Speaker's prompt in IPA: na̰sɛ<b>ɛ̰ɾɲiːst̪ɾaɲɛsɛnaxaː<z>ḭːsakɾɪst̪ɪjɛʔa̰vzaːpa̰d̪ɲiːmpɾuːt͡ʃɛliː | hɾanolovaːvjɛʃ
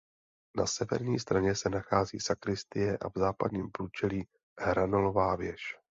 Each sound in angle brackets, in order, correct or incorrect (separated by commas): incorrect, correct